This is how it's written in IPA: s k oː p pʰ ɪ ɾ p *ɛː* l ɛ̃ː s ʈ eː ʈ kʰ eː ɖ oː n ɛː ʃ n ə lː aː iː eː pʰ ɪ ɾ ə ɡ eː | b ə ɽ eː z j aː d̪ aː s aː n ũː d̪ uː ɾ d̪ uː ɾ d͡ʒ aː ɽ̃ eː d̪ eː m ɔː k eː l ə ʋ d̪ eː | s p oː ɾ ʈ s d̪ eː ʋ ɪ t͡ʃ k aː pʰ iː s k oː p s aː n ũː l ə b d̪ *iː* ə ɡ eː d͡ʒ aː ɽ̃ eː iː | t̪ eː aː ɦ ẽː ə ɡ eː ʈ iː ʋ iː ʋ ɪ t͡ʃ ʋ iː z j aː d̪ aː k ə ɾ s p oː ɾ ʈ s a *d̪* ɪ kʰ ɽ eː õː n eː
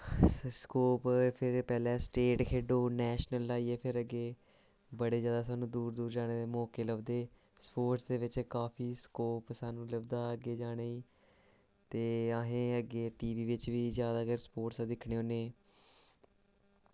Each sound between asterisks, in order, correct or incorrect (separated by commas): correct, incorrect, correct